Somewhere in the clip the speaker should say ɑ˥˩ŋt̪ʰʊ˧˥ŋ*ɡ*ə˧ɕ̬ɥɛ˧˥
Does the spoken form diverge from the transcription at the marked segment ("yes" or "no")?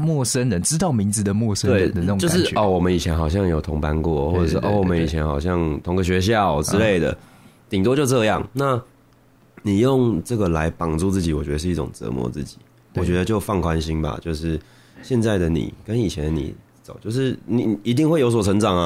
no